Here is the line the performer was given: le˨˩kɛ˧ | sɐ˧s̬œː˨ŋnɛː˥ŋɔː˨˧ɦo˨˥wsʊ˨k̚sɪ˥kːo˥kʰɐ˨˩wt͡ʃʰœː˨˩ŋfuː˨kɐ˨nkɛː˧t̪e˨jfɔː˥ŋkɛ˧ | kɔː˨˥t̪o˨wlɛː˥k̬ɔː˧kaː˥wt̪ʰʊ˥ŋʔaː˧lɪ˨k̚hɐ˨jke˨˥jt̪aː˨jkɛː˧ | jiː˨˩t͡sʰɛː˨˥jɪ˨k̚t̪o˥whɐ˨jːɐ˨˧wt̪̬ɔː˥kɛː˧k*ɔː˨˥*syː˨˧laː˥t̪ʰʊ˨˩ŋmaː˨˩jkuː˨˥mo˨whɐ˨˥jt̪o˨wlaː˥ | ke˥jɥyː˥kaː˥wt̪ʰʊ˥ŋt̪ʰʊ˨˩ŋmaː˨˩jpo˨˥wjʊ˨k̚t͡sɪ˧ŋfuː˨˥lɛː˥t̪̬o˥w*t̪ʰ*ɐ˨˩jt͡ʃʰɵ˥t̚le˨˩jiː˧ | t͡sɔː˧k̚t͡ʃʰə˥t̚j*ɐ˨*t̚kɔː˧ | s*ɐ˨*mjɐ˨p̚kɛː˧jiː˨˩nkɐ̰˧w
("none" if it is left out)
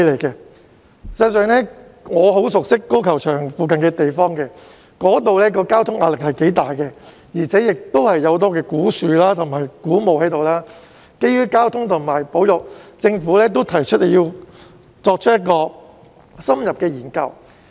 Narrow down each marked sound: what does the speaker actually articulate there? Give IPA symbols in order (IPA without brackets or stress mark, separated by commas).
uː˨˥, t̪ʰ, ɐ˥, ɐ˥